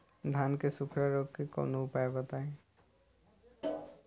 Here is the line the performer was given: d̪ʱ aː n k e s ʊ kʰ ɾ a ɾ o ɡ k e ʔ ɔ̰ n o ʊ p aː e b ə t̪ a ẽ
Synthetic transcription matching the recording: d̪ʱ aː n k e s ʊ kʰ ɾ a ɾ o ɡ k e k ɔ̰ n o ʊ p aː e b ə t̪ a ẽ